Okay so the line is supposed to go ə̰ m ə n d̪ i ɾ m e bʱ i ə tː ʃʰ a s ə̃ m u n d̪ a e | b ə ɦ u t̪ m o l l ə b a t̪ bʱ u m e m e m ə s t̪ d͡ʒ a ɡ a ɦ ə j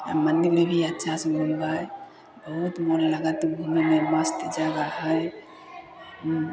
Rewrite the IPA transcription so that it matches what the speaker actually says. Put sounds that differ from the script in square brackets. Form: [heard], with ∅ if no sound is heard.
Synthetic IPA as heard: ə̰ m ə n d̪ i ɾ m e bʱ i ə tː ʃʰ a s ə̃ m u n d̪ a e | b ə ɦ u t̪ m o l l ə [ɡ] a t̪ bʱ u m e m e m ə s t̪ d͡ʒ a ɡ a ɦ ə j